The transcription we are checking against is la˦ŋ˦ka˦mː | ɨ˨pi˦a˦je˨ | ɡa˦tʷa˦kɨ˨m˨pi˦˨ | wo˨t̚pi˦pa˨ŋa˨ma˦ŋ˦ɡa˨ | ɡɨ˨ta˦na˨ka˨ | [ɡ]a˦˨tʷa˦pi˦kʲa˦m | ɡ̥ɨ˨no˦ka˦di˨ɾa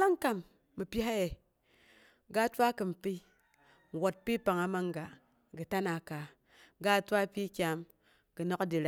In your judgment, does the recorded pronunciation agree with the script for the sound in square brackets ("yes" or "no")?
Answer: yes